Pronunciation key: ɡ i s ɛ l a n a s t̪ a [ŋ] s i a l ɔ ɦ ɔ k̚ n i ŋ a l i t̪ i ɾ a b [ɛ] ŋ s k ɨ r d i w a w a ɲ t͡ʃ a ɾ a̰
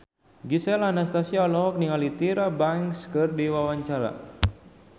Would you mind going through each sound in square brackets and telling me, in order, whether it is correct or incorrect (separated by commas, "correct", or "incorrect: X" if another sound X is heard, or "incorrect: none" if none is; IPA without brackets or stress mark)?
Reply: incorrect: none, incorrect: a